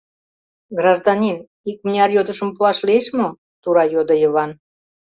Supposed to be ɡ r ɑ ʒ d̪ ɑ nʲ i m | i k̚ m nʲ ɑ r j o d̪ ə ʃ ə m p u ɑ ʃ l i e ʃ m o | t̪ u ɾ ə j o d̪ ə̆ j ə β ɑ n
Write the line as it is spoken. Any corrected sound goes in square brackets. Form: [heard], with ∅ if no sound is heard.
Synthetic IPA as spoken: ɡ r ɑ ʒ d̪ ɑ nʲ i [n] | i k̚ m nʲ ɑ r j o d̪ ə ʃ ə m p u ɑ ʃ l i e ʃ m o | t̪ u ɾ [ɑ] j o d̪ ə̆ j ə β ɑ n